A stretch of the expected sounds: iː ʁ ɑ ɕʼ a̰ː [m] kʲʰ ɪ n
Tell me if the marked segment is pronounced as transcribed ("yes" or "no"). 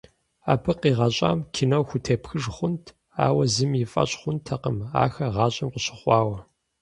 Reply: yes